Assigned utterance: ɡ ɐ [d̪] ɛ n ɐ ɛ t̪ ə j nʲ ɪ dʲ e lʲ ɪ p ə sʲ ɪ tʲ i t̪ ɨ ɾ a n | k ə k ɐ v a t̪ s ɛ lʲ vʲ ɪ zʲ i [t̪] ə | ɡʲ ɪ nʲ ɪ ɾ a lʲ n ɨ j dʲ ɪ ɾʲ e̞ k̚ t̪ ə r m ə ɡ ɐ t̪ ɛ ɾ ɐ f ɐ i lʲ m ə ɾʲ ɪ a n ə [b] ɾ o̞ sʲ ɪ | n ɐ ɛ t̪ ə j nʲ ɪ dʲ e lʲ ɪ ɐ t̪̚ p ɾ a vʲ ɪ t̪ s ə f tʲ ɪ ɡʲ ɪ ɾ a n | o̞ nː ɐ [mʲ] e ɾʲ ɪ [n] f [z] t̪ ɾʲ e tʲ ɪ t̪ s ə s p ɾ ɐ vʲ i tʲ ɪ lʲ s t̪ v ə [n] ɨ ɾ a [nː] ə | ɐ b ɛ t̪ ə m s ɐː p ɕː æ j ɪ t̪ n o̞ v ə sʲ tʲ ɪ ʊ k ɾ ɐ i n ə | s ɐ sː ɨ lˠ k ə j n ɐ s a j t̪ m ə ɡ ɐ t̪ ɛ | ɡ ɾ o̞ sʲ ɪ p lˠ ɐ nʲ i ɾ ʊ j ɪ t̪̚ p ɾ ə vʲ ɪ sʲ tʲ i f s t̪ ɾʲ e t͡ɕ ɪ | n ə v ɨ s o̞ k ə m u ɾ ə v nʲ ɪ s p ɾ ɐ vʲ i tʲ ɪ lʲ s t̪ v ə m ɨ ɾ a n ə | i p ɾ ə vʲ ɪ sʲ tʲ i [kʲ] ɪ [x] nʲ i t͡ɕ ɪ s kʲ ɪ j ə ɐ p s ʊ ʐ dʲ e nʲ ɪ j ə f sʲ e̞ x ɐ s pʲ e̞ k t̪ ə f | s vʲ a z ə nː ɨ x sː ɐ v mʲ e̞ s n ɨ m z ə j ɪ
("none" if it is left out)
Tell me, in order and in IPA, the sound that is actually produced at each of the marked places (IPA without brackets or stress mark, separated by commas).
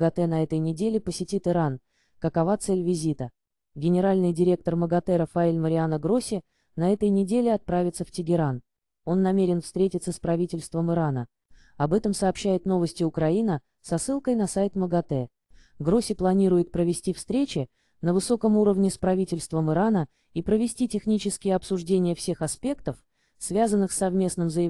t̪, t̪, ɡ, mʲ, n, s, m, n, tʲ, x